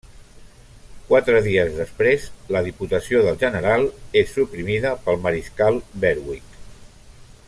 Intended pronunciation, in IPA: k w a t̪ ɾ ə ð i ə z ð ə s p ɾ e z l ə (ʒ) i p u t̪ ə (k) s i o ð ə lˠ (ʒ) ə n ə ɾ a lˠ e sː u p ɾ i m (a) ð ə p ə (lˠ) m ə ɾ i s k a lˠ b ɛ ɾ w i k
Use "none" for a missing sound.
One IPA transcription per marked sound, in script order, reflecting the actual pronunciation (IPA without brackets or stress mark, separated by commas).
ð, none, ʒ, i, lˠ